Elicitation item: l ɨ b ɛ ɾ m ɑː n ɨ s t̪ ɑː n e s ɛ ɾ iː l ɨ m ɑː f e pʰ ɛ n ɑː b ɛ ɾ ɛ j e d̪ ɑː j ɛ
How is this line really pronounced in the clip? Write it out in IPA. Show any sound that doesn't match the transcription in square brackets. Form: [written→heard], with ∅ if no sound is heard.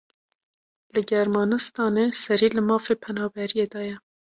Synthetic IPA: l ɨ [b→ɡ] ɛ ɾ m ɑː n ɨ s t̪ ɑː n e s ɛ ɾ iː l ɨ m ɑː f e pʰ ɛ n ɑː b ɛ ɾ [ɛ→i] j e d̪ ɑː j ɛ